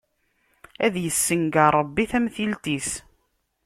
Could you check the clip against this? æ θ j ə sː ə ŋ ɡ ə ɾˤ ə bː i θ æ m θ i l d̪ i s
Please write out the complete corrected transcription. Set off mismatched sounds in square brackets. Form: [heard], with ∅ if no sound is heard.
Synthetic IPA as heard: æ [ð] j ə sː ə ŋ ɡ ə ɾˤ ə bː i θ æ m θ i l [t̪] i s